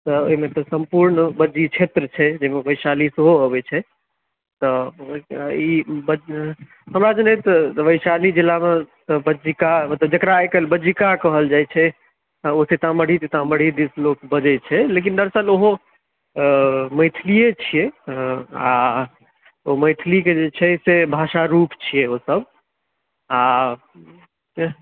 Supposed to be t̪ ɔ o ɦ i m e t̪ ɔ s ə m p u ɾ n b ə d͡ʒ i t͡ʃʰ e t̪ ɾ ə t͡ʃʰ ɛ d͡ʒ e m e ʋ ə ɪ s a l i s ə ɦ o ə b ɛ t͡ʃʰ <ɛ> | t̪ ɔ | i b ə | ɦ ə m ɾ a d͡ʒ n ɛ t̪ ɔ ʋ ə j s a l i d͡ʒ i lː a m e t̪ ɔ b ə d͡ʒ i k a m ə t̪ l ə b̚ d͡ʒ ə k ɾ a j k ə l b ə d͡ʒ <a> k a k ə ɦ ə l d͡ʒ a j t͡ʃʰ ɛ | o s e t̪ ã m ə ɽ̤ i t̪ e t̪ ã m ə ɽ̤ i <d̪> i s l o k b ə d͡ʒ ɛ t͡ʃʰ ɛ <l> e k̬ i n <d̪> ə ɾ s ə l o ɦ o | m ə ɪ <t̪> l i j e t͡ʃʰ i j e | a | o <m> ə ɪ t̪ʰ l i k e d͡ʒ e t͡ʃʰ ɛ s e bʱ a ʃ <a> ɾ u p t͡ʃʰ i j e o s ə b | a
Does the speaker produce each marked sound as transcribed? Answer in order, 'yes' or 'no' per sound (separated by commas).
yes, no, yes, yes, yes, no, yes, yes